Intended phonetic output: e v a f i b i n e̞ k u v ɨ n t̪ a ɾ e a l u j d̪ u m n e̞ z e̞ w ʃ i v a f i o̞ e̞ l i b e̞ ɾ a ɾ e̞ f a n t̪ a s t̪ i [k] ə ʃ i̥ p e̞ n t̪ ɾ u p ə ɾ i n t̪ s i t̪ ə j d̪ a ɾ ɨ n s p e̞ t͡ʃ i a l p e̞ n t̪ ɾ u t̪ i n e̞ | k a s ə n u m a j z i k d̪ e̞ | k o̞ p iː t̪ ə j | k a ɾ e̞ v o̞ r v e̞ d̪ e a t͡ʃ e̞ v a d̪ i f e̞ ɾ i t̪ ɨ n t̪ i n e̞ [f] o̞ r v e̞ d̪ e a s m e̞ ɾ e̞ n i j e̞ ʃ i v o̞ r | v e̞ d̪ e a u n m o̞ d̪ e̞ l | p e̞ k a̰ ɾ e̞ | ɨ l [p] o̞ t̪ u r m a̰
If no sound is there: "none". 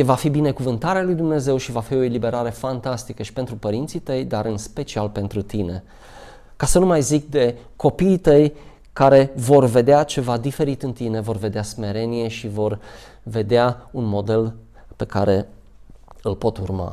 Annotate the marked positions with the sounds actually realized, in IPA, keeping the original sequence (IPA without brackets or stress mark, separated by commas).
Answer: k, v, p